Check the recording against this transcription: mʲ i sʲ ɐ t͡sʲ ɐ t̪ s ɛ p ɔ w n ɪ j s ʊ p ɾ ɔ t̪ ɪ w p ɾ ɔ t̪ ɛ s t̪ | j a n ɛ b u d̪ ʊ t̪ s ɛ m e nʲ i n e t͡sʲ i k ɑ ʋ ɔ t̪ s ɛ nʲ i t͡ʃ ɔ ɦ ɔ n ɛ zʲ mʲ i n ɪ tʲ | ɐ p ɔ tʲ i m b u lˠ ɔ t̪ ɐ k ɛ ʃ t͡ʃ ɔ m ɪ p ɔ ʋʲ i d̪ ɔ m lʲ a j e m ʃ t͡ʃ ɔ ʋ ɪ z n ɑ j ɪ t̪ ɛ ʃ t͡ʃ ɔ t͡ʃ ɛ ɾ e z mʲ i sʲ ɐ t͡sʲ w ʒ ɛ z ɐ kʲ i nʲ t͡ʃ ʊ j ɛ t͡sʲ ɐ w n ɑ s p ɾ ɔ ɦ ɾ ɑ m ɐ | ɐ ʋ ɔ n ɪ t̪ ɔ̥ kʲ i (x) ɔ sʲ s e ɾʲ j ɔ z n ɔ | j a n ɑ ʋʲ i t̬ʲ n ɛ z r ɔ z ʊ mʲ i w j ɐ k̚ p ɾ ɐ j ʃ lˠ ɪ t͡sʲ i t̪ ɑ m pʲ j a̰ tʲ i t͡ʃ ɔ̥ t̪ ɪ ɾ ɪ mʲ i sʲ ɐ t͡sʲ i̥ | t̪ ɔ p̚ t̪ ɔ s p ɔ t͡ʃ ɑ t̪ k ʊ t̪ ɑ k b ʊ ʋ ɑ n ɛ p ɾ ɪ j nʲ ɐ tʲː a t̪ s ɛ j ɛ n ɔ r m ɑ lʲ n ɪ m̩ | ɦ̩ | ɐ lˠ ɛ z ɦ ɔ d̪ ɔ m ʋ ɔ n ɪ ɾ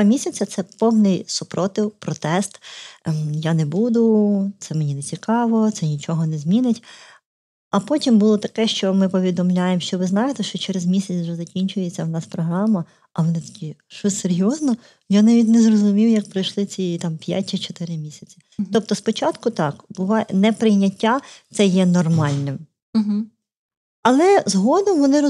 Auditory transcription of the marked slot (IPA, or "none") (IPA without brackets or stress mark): ʃ